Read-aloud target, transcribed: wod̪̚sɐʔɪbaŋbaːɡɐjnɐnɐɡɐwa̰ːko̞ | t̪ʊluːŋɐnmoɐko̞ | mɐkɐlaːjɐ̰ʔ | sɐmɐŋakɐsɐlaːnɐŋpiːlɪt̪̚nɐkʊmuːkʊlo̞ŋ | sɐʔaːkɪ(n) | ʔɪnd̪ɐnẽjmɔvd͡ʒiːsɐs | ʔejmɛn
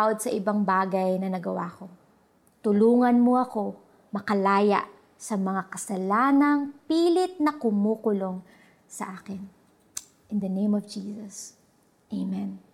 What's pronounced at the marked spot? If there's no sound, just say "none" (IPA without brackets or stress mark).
n